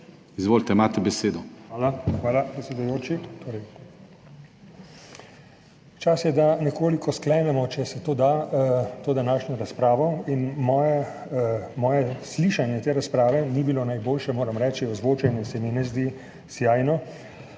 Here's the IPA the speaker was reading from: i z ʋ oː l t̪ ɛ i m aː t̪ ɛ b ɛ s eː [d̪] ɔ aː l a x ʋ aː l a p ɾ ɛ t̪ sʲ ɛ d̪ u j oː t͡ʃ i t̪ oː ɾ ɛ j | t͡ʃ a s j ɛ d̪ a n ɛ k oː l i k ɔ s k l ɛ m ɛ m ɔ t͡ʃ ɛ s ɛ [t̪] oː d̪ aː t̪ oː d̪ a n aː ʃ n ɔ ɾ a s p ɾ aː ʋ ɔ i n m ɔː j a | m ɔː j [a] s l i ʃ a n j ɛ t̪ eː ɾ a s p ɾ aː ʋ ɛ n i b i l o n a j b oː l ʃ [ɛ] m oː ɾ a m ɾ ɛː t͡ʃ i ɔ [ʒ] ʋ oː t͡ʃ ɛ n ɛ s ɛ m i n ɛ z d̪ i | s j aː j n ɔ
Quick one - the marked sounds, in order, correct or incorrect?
correct, correct, incorrect, correct, incorrect

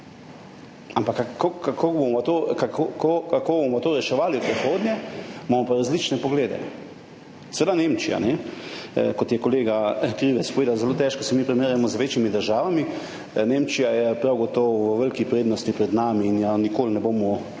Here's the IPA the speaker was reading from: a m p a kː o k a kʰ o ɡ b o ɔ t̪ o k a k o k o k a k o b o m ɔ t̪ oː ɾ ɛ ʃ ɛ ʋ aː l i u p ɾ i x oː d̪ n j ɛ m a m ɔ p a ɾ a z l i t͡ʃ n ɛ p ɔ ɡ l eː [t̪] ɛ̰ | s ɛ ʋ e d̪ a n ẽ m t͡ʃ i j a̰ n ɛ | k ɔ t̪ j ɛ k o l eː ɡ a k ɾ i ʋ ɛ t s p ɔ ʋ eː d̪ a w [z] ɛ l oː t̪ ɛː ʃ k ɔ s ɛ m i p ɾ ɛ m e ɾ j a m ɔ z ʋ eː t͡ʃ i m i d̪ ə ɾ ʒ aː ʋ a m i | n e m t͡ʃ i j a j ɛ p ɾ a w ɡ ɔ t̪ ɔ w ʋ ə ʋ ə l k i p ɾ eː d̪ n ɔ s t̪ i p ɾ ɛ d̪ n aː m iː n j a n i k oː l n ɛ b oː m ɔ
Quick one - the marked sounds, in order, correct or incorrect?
incorrect, correct

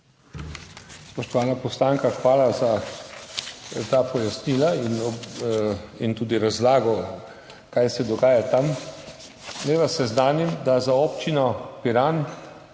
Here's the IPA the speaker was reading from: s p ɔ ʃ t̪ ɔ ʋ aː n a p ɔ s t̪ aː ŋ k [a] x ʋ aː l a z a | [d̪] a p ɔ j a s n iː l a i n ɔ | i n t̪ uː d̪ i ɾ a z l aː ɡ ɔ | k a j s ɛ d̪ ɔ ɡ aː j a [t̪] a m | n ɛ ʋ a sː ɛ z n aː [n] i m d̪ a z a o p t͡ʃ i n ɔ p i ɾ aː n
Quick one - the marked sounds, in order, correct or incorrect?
correct, incorrect, correct, correct

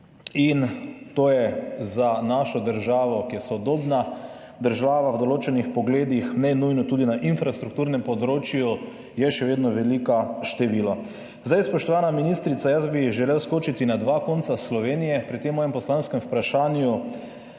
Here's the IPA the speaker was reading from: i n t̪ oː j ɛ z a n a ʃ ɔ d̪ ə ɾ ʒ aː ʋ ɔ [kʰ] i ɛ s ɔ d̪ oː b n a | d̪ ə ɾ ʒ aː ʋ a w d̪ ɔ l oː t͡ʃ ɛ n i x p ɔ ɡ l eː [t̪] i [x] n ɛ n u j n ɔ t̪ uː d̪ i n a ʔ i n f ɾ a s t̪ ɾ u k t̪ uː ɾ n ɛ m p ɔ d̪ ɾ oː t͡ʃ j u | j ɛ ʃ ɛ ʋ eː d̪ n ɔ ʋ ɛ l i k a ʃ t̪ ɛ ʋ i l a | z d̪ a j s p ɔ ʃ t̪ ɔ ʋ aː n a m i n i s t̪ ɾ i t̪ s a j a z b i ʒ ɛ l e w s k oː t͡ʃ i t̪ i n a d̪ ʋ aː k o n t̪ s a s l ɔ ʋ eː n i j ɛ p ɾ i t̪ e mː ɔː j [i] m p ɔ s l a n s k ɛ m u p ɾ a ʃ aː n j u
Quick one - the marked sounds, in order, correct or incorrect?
incorrect, incorrect, correct, incorrect

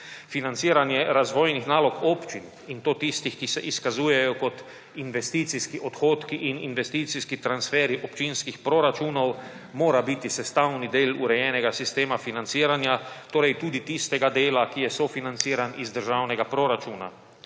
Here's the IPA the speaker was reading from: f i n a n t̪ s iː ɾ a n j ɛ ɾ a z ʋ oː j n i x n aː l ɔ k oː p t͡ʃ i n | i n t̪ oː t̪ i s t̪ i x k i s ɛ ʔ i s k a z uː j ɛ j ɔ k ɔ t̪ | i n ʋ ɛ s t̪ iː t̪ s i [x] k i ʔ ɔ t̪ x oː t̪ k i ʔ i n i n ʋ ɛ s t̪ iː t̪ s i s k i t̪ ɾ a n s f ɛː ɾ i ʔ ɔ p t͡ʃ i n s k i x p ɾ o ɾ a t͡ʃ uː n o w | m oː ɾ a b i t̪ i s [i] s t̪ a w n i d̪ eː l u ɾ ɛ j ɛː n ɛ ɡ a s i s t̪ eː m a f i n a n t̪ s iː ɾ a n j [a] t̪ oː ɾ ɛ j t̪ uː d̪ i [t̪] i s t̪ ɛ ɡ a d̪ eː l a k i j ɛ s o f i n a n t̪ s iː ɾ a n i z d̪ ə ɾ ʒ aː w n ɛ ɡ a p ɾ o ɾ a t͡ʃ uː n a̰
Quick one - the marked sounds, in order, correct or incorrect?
incorrect, incorrect, correct, correct

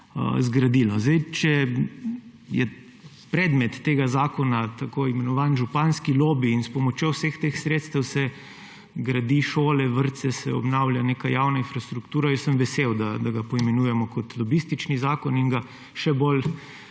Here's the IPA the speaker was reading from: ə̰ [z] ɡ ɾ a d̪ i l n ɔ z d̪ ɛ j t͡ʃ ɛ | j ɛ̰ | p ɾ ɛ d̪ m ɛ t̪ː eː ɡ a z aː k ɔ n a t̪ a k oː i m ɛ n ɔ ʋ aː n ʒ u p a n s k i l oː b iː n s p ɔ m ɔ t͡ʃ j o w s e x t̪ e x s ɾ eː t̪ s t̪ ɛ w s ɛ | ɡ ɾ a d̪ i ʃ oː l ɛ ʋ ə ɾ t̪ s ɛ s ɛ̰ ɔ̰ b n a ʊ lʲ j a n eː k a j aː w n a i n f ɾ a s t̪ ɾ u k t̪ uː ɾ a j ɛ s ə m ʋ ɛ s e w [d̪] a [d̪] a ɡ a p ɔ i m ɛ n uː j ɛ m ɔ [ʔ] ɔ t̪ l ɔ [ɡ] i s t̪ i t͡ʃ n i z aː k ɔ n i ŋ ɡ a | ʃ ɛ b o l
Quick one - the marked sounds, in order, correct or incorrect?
correct, correct, correct, incorrect, incorrect

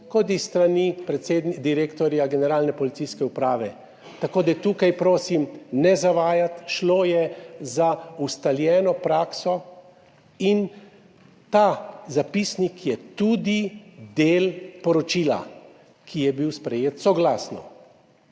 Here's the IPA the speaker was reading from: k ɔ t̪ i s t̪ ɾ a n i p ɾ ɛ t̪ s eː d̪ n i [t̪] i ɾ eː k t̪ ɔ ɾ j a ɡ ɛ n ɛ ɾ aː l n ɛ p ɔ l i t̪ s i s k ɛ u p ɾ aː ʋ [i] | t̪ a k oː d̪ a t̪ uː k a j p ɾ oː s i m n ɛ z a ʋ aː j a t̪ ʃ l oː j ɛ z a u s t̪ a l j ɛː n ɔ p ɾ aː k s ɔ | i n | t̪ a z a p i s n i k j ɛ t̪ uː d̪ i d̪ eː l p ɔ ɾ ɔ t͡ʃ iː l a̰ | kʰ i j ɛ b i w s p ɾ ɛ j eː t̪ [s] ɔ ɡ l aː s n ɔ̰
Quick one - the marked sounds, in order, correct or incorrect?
incorrect, incorrect, correct

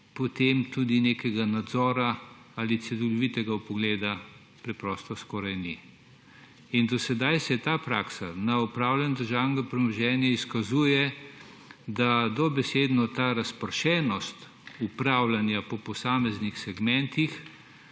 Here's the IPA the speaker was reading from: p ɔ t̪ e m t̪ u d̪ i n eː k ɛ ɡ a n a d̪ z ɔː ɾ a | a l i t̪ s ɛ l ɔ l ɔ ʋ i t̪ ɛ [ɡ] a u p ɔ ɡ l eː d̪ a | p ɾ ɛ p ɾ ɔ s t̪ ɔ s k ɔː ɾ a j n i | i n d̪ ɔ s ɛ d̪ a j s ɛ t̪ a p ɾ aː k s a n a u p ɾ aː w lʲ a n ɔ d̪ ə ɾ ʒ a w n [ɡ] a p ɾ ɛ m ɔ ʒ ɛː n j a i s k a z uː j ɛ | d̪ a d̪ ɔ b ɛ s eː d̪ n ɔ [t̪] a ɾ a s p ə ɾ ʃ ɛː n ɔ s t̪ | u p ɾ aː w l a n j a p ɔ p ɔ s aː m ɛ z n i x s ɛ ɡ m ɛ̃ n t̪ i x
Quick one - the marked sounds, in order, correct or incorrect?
correct, correct, correct

